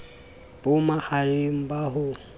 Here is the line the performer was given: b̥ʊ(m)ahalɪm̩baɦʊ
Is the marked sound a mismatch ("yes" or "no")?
no